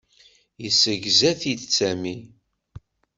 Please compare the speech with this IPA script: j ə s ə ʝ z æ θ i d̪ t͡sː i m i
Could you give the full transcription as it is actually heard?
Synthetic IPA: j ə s ə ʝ z æ θ i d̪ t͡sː æ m i